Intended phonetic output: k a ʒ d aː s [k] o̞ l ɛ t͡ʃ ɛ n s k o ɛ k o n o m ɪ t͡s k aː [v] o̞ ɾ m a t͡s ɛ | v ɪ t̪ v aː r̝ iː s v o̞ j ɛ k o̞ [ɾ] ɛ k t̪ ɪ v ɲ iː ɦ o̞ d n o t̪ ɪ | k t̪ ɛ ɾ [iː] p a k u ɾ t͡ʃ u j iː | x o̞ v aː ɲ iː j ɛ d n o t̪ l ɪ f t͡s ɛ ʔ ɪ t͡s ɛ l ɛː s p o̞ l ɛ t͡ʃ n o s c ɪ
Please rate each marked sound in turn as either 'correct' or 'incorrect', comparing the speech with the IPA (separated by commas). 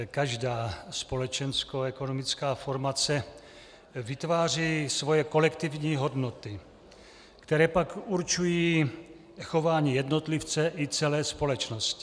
incorrect, incorrect, incorrect, incorrect